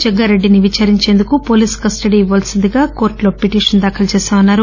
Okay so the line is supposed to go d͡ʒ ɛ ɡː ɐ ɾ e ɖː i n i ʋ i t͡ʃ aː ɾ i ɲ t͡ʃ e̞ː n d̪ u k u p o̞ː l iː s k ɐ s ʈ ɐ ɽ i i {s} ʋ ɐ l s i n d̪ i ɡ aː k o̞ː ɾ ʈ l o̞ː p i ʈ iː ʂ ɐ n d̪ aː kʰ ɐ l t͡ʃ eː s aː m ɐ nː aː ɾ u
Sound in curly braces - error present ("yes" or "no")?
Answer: yes